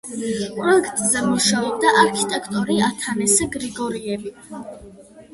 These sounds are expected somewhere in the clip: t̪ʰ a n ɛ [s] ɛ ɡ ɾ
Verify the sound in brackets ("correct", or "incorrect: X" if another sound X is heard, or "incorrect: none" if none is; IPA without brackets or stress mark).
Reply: correct